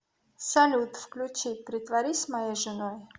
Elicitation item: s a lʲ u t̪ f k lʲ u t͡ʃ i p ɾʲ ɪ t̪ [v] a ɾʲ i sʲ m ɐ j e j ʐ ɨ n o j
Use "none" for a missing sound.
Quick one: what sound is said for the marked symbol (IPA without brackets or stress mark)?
v